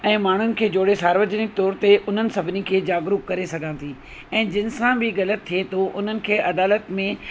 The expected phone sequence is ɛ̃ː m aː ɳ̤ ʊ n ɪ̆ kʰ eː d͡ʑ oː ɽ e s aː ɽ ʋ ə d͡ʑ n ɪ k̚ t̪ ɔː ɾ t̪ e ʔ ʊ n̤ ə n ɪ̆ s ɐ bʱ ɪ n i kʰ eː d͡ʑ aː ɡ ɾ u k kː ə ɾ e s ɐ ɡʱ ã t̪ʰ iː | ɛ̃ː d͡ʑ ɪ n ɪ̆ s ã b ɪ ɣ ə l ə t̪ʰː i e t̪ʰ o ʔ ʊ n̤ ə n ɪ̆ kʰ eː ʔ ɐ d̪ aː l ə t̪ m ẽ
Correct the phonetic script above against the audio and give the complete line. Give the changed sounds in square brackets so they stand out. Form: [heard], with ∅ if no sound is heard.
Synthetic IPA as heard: ɛ̃ː m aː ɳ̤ ʊ n ɪ̆ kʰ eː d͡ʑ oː ɽ e s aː [ɾ] ʋ ə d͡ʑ n ɪ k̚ t̪ ɔː ɾ t̪ e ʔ ʊ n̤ ə n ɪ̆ s ɐ bʱ ɪ n i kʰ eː d͡ʑ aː ɡ ɾ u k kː [ɐ] ɾ e s ɐ ɡʱ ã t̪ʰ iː | ɛ̃ː d͡ʑ ɪ n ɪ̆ s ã b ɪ ɣ [ɐ] l ə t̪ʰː i e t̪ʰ o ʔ ʊ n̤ ə n ɪ̆ kʰ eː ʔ ɐ d̪ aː l ə t̪ m ẽ